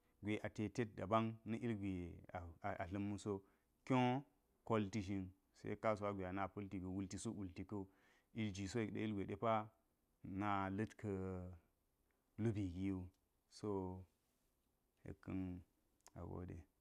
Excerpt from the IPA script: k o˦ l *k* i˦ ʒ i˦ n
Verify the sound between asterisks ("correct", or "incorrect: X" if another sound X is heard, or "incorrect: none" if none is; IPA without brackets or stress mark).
incorrect: t